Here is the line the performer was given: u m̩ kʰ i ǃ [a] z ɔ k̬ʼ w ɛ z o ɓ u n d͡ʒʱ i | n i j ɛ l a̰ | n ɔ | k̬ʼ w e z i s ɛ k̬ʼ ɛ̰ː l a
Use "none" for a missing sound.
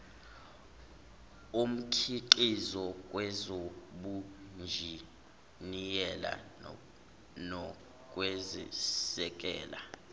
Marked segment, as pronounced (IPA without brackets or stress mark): i